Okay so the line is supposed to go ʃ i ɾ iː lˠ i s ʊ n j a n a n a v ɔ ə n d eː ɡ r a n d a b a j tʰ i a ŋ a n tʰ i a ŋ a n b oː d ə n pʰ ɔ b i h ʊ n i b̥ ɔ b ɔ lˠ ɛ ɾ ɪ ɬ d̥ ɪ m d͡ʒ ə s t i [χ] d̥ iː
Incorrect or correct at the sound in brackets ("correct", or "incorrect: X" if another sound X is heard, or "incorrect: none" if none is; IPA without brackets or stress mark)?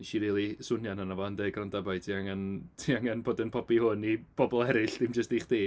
correct